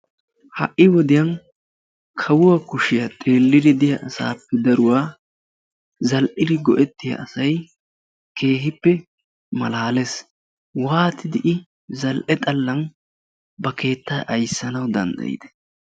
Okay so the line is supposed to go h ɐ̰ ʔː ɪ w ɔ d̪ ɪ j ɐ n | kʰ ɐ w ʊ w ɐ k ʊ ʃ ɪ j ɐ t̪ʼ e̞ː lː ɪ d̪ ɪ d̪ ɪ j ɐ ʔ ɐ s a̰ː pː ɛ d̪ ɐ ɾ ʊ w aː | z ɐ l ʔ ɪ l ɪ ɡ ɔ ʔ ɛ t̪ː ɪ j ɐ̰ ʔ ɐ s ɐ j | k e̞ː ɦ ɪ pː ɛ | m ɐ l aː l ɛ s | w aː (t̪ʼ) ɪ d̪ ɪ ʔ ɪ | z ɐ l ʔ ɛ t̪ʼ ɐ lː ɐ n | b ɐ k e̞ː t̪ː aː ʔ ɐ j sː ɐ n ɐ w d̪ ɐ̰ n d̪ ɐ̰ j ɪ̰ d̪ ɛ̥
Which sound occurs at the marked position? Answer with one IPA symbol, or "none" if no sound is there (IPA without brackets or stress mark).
t̪